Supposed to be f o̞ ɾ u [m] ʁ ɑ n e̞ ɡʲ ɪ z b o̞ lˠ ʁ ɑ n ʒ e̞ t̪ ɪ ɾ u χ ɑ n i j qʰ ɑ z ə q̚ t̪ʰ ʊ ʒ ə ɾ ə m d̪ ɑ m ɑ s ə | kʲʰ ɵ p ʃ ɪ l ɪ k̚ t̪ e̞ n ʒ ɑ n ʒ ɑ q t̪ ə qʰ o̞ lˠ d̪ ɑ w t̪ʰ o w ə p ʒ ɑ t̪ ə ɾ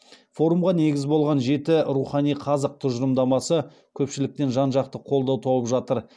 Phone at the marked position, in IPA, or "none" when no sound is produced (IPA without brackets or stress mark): m